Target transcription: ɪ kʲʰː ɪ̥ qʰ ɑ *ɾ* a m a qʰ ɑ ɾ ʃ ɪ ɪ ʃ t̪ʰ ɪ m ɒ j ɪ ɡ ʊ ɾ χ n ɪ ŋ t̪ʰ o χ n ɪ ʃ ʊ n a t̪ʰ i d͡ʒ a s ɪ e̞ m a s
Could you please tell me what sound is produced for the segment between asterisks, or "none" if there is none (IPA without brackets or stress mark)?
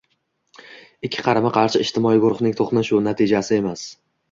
ɾ